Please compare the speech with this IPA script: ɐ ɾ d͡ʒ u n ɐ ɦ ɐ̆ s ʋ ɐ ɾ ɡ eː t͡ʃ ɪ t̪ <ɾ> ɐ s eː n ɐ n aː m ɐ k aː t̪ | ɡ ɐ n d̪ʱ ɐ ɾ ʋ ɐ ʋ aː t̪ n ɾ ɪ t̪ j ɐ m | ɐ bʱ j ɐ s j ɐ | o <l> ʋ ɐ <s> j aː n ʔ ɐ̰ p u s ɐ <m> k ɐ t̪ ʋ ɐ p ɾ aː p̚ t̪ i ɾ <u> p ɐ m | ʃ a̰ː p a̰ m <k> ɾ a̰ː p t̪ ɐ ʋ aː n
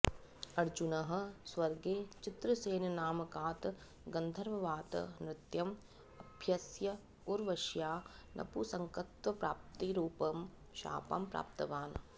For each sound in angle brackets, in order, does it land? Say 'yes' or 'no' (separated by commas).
yes, no, no, no, no, no